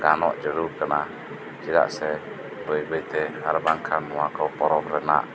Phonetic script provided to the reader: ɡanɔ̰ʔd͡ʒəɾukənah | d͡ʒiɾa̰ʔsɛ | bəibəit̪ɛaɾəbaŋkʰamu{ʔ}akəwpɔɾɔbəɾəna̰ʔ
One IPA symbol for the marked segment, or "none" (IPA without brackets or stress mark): none